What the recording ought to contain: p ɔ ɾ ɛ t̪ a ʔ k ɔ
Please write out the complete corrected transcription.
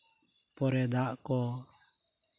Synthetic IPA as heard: p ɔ ɾ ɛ d̪ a ʔ k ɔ